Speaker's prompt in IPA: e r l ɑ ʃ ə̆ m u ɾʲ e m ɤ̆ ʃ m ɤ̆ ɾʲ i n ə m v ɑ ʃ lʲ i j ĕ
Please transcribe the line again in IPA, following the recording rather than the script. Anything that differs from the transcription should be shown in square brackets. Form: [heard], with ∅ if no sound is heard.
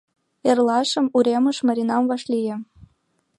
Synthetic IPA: e r l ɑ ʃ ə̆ m u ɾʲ e m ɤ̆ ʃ m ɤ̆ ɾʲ i n [ɑ] m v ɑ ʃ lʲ i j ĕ